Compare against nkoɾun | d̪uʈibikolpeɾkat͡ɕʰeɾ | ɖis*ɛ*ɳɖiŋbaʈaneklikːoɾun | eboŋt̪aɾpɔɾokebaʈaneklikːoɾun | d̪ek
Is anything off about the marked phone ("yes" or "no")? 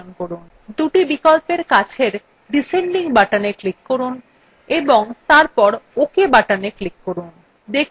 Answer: yes